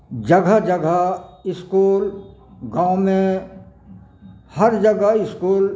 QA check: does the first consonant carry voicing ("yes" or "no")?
yes